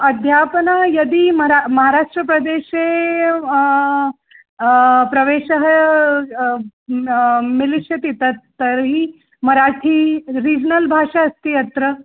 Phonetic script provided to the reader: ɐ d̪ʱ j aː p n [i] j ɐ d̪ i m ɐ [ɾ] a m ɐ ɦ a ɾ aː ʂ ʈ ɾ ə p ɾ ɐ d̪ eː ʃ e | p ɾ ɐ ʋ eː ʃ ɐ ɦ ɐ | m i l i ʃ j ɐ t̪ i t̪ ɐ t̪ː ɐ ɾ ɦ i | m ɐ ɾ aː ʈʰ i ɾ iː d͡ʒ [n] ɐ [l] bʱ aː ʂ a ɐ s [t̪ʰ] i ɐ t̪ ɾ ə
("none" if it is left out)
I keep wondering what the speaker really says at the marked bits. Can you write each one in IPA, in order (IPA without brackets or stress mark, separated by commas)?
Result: a, ɾ, n, l, t̪